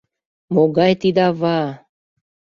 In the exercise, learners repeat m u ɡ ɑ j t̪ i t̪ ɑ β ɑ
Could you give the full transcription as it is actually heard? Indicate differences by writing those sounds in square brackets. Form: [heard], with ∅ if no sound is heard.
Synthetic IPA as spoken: m [o] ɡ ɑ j t̪ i [d̪] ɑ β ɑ

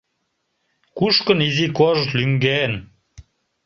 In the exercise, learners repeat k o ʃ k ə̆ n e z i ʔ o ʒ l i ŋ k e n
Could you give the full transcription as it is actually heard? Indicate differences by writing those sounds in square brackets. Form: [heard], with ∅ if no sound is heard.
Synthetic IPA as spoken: k [u] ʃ k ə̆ n [i] z i [k] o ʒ l [y] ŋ [ɡ] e n

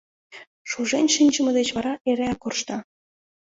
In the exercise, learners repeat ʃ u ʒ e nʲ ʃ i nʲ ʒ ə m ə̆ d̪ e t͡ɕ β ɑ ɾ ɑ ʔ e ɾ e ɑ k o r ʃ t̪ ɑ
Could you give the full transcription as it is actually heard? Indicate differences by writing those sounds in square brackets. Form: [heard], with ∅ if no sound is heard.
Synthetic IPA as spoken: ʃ u ʒ e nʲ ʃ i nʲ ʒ ə m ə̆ d̪ e t͡ɕ β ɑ ɾ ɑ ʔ e ɾ e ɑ k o r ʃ t̪ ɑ

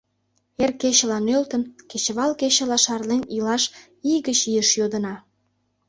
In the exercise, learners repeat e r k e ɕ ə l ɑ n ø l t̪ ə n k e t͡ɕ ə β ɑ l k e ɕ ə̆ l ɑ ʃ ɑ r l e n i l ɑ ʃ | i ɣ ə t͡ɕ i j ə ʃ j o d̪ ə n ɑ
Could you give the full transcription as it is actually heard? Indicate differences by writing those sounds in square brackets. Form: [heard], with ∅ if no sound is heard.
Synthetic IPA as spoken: e r k e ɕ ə l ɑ n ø l t̪ ə n k e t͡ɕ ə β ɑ l k e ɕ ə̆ l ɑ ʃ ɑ r l e n i l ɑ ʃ | i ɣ ə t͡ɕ i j ə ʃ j o d̪ ə n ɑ

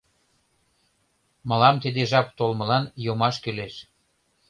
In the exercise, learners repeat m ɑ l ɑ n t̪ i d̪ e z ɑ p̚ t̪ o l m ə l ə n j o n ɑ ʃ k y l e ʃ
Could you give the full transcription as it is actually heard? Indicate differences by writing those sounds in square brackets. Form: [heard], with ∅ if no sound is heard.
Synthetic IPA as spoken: m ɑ l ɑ [m] t̪ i d̪ e [ʒ] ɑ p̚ t̪ o l m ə l [ɑ] n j o [m] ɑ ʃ k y l e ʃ

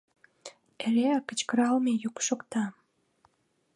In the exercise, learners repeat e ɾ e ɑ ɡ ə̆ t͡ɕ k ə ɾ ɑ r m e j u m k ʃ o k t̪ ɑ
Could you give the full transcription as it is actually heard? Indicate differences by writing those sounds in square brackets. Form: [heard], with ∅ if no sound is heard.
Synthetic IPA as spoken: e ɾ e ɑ [k] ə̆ t͡ɕ k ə ɾ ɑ [l] m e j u [∅] k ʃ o k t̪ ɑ

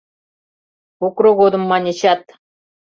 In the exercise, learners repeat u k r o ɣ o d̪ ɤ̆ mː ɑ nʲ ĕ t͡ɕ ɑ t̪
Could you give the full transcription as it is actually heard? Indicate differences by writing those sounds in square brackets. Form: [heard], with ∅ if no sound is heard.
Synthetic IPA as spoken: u k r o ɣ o d̪ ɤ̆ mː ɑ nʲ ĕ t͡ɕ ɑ t̪

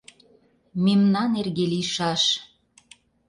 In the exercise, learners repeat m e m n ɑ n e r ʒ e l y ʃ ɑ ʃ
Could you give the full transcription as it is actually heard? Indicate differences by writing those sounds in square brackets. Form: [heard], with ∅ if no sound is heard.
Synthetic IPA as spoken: m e m n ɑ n e r [ɣ] e l [i] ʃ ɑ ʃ

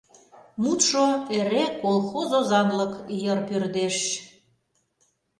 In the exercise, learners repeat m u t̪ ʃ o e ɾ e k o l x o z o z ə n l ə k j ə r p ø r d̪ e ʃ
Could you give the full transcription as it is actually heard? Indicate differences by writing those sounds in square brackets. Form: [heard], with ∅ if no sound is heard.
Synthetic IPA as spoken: m u t̪ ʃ o e ɾ e k o l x o z o z [ɑ] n l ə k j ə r p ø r d̪ e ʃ

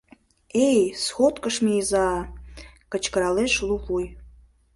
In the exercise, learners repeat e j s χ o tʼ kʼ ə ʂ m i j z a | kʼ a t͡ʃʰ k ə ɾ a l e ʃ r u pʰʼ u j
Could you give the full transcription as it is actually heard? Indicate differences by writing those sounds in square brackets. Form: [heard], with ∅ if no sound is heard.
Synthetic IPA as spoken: e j s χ o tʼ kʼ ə ʂ m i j z a | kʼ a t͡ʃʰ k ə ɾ a l e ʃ [l] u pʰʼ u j

